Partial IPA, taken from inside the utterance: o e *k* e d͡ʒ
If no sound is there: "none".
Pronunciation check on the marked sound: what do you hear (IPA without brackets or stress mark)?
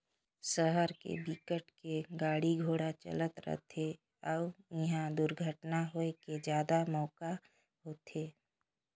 k